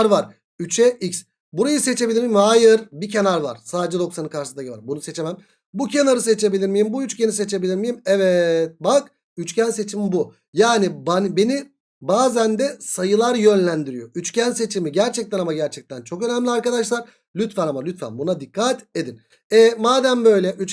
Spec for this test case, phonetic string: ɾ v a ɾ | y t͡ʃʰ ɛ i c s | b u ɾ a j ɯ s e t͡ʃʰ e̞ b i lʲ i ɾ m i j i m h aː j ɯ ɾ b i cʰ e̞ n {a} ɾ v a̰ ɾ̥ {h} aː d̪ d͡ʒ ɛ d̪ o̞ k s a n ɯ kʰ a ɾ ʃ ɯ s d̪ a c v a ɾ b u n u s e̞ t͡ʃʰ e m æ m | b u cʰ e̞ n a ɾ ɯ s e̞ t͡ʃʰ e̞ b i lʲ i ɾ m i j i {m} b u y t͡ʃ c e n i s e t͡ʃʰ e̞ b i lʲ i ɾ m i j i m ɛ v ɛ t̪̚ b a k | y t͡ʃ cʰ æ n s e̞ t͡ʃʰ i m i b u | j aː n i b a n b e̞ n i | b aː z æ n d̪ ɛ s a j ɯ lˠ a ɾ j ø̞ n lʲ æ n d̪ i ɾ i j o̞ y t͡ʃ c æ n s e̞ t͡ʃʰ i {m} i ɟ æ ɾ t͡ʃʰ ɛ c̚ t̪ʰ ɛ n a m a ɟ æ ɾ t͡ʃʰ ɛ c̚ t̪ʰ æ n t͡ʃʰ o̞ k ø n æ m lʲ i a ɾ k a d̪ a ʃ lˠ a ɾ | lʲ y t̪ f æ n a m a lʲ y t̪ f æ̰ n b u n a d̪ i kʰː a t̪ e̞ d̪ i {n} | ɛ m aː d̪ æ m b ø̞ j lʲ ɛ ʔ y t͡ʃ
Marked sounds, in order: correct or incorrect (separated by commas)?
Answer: correct, incorrect, correct, correct, correct